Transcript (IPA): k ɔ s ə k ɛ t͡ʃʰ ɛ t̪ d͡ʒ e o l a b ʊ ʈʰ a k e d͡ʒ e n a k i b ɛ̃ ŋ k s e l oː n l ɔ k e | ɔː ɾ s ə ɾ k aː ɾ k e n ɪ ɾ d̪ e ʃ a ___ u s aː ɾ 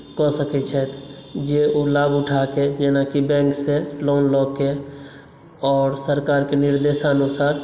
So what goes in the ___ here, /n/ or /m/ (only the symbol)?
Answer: n